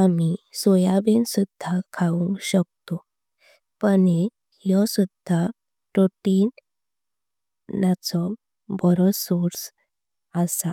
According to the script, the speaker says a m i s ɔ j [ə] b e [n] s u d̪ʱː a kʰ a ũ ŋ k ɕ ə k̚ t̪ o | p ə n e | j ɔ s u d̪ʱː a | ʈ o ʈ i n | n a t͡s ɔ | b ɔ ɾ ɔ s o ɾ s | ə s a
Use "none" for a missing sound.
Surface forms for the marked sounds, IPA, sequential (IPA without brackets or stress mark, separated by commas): a, n